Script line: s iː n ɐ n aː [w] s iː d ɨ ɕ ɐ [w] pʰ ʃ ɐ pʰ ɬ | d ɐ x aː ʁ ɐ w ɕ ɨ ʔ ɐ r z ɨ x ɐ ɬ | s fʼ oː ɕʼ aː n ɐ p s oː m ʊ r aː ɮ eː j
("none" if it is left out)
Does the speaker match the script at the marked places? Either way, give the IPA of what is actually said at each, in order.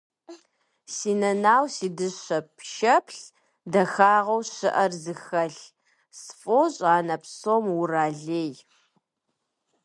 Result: w, none

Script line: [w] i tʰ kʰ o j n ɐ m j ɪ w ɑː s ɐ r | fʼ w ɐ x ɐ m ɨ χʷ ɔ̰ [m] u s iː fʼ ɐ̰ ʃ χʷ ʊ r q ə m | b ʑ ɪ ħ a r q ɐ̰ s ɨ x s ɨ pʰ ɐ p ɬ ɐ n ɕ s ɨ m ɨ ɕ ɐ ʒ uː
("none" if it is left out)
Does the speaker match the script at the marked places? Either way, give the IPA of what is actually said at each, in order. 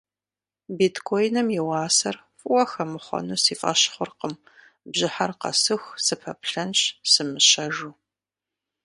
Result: b, n

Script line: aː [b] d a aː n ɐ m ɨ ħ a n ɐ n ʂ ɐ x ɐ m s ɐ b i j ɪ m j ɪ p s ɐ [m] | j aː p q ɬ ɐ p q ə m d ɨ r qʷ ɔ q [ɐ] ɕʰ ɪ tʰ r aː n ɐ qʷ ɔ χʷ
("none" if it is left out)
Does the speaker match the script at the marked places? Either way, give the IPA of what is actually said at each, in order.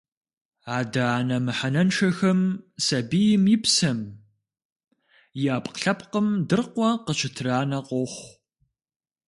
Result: none, m, ə

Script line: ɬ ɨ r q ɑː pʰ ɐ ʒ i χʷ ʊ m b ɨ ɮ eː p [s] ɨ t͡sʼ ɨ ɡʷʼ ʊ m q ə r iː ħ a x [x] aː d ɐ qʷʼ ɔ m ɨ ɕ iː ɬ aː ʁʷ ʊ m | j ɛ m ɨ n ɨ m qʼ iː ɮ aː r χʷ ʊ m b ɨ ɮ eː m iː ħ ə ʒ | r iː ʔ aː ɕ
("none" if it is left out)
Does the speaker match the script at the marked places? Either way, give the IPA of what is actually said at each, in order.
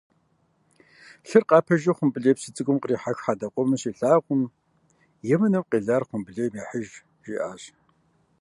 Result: s, ħ

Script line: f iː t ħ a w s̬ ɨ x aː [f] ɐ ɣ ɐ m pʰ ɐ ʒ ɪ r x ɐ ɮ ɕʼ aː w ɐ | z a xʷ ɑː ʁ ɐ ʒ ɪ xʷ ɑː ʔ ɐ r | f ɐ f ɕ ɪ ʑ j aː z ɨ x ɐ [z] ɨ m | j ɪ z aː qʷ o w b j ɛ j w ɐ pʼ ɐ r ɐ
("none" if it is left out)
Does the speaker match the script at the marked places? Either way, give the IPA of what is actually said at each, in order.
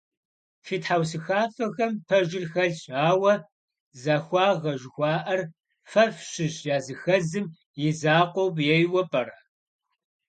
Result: f, z

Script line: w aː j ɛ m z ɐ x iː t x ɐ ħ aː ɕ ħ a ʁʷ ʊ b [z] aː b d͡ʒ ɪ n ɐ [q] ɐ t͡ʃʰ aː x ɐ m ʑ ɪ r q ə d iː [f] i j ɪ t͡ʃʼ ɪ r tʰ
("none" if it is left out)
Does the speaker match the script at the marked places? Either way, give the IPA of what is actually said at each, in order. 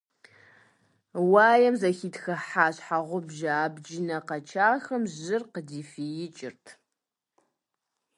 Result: ʒ, q, f

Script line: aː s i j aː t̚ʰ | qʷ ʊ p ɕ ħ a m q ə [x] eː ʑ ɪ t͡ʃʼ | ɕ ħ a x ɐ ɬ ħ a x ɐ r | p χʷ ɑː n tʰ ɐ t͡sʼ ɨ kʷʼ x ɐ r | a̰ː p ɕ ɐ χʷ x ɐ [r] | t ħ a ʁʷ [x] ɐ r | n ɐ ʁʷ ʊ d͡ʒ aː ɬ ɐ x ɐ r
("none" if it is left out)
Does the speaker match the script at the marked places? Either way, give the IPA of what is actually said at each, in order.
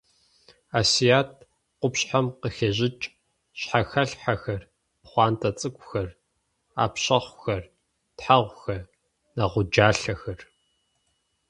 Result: x, r, x

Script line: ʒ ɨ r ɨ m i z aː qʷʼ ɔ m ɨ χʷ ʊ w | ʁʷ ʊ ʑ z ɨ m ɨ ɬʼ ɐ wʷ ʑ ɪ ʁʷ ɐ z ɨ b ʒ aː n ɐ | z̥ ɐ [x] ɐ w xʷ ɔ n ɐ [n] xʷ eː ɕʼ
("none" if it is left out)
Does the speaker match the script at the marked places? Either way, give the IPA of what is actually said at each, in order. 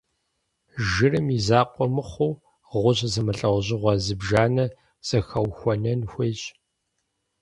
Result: x, n

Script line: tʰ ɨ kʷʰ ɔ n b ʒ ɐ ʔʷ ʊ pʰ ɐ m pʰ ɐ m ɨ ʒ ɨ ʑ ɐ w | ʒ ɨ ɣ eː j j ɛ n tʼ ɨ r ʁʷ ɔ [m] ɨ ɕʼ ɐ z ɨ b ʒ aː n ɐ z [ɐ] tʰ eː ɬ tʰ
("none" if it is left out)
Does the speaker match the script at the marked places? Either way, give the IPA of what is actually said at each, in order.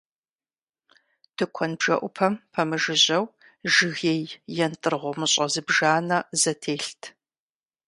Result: m, ɐ

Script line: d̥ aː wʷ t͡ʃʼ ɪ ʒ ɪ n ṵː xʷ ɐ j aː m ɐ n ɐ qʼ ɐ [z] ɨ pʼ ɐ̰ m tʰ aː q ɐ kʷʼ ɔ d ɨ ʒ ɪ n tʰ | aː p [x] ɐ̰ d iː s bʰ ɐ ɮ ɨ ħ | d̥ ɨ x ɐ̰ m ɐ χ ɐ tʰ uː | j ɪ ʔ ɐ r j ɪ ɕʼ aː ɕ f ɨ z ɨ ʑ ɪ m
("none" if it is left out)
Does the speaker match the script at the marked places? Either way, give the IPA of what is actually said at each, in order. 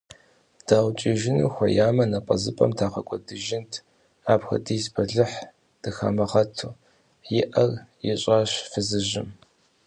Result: z, x

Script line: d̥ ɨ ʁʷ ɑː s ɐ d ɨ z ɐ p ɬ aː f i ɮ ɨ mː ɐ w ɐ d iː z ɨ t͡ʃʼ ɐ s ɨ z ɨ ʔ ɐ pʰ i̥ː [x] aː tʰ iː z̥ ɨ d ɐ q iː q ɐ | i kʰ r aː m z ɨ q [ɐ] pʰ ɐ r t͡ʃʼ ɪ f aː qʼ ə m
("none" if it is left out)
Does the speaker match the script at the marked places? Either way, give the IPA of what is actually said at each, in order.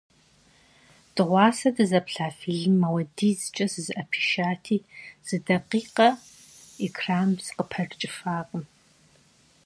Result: ʃ, ə

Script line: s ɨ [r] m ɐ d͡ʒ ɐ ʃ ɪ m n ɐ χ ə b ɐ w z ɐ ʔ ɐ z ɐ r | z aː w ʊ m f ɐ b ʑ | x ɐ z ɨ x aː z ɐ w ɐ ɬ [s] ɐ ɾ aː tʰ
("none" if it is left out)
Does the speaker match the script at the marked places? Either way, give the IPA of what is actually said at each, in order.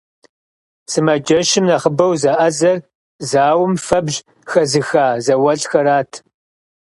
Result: none, x

